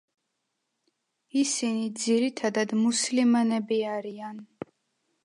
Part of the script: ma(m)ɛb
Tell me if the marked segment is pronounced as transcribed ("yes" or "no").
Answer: no